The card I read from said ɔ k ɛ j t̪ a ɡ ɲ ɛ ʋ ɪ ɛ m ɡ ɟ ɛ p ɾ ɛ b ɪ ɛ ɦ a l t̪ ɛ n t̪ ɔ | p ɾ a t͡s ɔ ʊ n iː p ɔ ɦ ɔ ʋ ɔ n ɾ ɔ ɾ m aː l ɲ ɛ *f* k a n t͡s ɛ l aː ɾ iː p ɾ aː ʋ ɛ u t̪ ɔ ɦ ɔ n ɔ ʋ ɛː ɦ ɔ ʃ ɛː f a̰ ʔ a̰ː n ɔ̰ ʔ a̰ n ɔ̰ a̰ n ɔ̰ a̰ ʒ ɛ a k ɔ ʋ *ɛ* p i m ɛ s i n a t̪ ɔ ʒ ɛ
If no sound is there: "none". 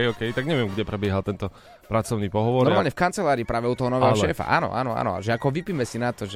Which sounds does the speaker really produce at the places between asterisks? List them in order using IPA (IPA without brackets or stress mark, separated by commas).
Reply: f, i